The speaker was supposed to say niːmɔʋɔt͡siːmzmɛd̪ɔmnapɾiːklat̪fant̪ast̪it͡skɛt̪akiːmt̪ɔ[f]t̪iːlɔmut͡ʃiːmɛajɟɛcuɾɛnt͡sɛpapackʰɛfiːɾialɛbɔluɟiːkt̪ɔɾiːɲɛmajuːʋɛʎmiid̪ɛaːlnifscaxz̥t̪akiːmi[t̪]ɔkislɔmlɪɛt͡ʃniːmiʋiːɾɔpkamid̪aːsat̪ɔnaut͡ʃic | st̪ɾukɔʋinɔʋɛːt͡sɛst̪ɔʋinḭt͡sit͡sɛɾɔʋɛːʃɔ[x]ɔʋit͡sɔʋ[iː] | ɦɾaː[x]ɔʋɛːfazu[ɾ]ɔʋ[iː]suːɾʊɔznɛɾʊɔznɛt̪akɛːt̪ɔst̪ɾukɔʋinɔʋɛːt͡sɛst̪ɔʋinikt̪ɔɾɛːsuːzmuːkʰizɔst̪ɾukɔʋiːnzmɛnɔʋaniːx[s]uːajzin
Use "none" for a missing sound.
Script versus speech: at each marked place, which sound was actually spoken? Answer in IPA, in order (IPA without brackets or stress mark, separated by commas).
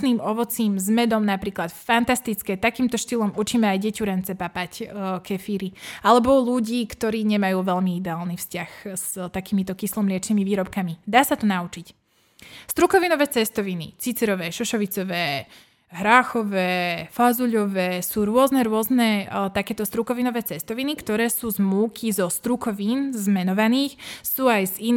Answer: ʃ, t̪, ʃ, ɛː, x, ʎ, ɛː, s